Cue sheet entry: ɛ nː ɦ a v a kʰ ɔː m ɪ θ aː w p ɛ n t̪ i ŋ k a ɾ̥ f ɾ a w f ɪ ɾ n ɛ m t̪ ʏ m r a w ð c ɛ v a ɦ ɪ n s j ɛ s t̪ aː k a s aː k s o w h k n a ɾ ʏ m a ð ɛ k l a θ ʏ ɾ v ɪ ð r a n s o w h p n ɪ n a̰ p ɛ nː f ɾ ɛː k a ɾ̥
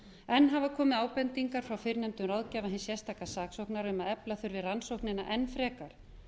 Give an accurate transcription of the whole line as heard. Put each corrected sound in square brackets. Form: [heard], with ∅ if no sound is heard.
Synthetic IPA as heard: ɛ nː ɦ a v a kʰ ɔː m ɪ [ð] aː w p ɛ n t̪ i ŋ k a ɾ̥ f ɾ a w f ɪ ɾ n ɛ m t̪ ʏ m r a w ð c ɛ v a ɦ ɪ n s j ɛ s t̪ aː k a s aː k s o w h k n a ɾ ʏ m a ð ɛ [p] l a θ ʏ ɾ v ɪ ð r a n s o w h [k] n ɪ n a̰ [ʔ] ɛ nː f ɾ ɛː k a ɾ̥

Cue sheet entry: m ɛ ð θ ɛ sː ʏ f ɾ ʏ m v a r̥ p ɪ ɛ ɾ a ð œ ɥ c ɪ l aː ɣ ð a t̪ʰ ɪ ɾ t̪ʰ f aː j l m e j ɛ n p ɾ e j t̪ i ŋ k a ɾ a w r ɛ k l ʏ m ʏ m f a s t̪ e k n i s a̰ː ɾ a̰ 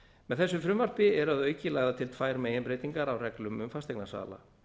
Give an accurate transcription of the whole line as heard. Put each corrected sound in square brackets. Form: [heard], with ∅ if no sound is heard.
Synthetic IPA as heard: m ɛ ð θ ɛ sː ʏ f ɾ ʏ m v a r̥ p ɪ ɛ ɾ a ð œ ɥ c ɪ l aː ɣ ð a t̪ʰ ɪ [l] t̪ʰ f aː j [ɾ] m e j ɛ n p ɾ e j t̪ i ŋ k a ɾ a w r ɛ k l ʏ m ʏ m f a s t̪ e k n [a] s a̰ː [l] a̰

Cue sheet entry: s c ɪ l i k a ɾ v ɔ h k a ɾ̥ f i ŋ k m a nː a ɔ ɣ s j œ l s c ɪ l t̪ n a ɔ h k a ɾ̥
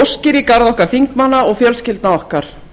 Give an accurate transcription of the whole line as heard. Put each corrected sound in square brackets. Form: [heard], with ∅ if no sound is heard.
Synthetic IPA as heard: s c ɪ [ɾ] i k a ɾ [ð] ɔ h k a ɾ̥ [θ] i ŋ k m a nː a ɔ ɣ [f] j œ l s c ɪ l t̪ n a ɔ h k a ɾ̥

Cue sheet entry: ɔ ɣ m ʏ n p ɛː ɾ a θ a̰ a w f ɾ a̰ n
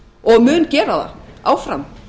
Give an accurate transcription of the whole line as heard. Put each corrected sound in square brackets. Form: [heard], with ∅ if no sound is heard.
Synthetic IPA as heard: ɔ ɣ m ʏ n [c] ɛː ɾ a [ð] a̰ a w f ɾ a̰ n

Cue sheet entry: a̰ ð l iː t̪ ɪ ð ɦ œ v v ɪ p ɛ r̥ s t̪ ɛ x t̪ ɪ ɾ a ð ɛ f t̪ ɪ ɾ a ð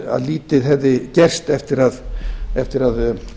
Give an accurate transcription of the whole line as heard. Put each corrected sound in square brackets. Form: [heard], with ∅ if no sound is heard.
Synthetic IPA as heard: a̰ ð l iː t̪ ɪ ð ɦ [ɛ] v [ð] ɪ [c] ɛ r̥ s t̪ ɛ [f] t̪ ɪ ɾ a ð ɛ f t̪ ɪ ɾ a ð

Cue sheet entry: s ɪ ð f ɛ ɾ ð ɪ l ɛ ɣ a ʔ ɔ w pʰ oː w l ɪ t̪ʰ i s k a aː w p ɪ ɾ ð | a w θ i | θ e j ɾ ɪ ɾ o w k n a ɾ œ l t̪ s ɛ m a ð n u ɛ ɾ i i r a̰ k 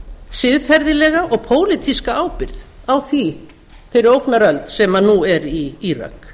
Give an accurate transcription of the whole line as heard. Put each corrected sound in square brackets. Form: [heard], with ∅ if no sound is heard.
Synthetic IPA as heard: s ɪ ð f ɛ ɾ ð ɪ l ɛ ɣ a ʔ ɔ [ɣ] pʰ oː w l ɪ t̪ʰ i s k a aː w p ɪ ɾ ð | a w θ i | θ e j ɾ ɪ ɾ o w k n a ɾ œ l t̪ s ɛ m a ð n u ɛ ɾ i i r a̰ k

